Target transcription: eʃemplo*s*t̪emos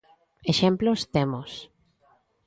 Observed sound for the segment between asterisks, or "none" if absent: s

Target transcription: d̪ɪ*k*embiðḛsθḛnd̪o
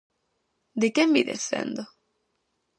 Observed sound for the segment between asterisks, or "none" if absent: k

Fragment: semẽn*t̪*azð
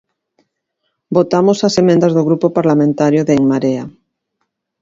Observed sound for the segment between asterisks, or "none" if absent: d̪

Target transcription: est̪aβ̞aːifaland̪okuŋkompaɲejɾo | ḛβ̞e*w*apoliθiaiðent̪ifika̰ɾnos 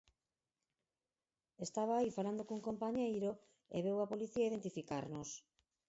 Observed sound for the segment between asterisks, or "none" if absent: w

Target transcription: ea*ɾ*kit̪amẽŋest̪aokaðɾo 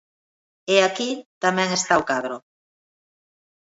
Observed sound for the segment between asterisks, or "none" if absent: none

